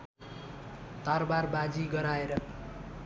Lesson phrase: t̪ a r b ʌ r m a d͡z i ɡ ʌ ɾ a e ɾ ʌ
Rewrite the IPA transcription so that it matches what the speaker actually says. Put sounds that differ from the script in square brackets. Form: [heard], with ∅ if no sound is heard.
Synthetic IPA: t̪ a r b [a] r [b] a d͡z i ɡ ʌ ɾ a e ɾ ʌ